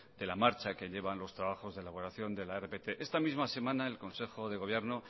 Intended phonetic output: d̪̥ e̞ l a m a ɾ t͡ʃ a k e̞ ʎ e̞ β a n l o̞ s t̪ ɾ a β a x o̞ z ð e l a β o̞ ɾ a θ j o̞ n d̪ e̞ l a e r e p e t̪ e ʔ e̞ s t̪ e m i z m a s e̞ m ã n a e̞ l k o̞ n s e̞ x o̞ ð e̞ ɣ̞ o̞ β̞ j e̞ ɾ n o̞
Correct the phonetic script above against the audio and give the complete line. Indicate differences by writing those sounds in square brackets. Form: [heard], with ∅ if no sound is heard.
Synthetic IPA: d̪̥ e̞ l a m a ɾ t͡ʃ a k e̞ ʎ e̞ β a n l o̞ s t̪ ɾ a β a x o̞ z ð e l a β o̞ ɾ a θ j o̞ n d̪ e̞ l a e r e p e t̪ e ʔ e̞ s t̪ [a] m i z m a s e̞ m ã n a e̞ l k o̞ n s e̞ x o̞ ð e̞ ɣ̞ o̞ β̞ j e̞ ɾ n o̞